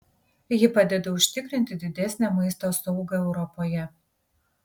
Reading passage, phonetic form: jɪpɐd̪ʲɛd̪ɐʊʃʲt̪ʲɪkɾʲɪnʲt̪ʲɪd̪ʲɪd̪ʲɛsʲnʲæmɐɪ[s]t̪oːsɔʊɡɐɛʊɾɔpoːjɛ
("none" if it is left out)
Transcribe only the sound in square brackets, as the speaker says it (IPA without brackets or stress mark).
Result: s